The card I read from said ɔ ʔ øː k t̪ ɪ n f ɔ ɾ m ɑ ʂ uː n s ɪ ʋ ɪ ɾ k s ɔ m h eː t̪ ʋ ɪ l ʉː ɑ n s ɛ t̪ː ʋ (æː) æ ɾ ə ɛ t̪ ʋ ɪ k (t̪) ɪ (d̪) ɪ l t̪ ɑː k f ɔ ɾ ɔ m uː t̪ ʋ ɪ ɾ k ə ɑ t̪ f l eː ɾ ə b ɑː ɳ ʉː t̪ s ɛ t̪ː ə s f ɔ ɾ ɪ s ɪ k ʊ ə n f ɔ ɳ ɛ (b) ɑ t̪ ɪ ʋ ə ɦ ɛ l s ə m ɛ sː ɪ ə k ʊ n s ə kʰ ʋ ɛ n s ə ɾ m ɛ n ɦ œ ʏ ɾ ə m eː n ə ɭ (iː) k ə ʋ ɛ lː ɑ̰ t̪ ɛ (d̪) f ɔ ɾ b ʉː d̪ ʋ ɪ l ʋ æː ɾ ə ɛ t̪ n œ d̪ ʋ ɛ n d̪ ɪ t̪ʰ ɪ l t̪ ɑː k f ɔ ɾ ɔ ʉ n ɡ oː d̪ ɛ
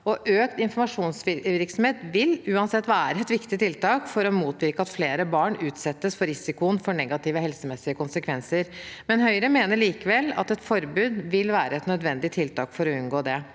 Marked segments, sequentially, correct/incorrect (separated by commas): correct, correct, incorrect, incorrect, correct, incorrect